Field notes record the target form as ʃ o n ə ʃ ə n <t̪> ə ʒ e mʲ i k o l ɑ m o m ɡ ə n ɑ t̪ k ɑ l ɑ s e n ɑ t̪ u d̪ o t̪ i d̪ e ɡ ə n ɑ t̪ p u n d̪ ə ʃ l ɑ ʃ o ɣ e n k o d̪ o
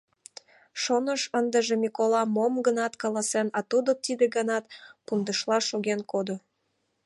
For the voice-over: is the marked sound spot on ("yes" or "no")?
no